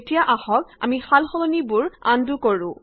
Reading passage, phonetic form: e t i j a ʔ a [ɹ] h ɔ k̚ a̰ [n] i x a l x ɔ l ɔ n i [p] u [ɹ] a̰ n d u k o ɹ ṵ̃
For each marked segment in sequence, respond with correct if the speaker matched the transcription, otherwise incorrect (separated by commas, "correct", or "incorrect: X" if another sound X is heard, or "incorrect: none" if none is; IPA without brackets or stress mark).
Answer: incorrect: none, incorrect: m, incorrect: b, correct